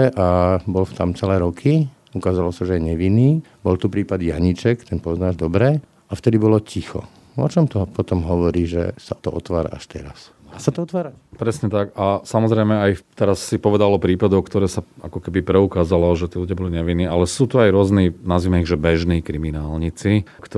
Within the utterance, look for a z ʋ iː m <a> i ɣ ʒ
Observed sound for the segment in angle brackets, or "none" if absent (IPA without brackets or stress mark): ɛ